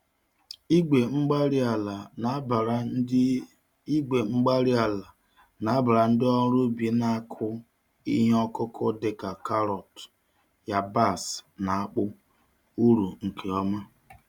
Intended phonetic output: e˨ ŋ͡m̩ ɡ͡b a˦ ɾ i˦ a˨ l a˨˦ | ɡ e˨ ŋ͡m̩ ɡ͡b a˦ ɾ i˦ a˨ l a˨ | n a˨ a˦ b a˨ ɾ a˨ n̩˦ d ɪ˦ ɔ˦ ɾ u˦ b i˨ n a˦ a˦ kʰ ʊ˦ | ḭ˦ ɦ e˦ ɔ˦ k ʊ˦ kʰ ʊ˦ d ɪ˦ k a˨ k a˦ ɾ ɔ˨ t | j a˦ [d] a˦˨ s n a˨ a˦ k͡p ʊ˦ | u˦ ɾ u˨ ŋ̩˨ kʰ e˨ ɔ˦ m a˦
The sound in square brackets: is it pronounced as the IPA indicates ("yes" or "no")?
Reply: no